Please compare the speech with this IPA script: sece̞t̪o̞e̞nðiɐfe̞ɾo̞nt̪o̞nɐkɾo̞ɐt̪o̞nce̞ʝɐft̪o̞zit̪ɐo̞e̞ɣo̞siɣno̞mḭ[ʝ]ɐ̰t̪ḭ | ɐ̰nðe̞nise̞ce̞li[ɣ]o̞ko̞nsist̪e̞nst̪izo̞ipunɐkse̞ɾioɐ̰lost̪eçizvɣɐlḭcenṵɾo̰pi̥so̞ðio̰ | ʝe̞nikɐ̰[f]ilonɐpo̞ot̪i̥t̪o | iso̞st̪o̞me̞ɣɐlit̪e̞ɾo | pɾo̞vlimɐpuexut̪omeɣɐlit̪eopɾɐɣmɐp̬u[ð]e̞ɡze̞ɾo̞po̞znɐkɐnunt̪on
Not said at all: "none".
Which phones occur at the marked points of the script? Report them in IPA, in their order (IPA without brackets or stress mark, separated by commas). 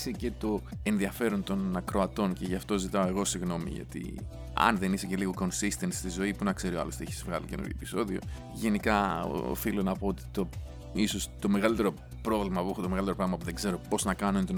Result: ʝ, ɣ, f, ð